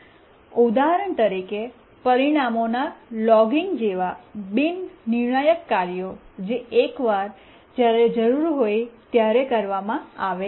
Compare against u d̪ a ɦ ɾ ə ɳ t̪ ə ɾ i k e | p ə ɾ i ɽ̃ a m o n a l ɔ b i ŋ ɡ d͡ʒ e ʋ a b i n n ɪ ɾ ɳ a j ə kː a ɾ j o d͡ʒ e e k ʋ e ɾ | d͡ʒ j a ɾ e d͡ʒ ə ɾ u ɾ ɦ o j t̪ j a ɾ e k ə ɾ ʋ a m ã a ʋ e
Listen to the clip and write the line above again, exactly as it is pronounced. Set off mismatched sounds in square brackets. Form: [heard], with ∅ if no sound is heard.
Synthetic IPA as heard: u d̪ a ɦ ɾ ə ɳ t̪ ə ɾ i k e | p ə ɾ i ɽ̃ a m o n a l ɔ [ɡ] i ŋ ɡ d͡ʒ e ʋ a b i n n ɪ ɾ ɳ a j ə kː a ɾ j o d͡ʒ e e k ʋ [a] ɾ | d͡ʒ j a ɾ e d͡ʒ ə ɾ u ɾ ɦ o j t̪ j a ɾ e k ə ɾ ʋ a m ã a ʋ e